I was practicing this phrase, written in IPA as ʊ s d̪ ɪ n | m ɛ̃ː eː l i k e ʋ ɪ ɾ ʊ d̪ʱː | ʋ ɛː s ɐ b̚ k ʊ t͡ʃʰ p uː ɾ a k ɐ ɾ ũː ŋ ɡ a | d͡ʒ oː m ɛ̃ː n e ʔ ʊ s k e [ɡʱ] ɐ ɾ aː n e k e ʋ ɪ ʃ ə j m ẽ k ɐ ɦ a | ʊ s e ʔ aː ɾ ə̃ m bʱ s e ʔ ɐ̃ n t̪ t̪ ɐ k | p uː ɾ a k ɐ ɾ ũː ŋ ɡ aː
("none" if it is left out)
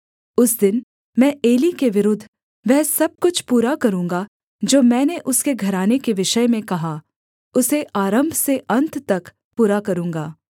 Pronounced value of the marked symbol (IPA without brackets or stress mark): ɡʱ